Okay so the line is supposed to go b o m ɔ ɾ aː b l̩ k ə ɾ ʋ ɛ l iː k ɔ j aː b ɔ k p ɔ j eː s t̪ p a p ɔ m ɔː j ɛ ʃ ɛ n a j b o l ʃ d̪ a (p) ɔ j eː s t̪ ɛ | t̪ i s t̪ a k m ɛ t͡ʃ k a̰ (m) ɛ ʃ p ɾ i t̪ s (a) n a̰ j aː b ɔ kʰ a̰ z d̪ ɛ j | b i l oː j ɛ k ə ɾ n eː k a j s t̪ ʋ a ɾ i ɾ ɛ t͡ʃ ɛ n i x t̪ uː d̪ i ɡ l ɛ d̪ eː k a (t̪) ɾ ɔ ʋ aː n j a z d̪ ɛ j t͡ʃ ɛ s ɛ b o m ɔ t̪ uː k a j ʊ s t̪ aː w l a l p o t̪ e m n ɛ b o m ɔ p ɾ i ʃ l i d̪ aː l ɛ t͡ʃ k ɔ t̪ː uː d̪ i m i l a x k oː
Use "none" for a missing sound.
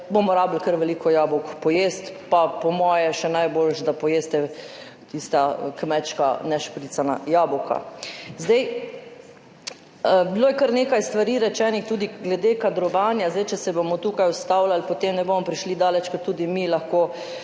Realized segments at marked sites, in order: p, n, a, d̪

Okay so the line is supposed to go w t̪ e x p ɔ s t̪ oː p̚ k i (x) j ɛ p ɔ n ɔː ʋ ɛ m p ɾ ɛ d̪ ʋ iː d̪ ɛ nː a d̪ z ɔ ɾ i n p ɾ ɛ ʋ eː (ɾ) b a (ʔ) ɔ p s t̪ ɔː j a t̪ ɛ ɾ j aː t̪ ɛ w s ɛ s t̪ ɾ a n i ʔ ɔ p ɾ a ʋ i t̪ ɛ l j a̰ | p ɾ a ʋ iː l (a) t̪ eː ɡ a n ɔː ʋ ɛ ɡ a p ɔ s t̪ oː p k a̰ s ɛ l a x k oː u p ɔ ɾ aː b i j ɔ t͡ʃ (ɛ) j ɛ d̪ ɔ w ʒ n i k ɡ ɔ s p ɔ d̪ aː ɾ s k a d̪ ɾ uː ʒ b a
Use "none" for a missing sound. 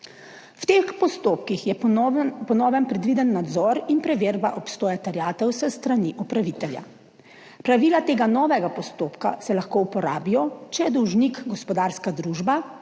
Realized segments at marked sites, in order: x, ɾ, ʔ, a, ɛ

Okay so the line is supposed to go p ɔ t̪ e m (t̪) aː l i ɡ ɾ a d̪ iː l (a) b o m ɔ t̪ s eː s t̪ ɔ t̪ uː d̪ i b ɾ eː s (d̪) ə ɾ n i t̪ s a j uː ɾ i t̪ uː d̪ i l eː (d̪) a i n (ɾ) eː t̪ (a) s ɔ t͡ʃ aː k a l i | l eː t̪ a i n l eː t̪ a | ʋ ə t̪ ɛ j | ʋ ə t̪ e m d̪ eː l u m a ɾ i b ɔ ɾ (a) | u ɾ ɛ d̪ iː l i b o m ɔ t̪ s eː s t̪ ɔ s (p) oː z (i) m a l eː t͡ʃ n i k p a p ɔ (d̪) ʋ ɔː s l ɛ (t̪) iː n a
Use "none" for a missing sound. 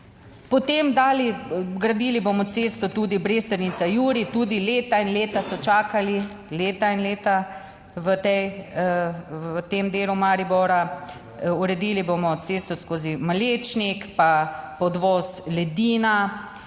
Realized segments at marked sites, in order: d̪, i, t̪, t̪, l, a, a, k, i, d̪, d̪

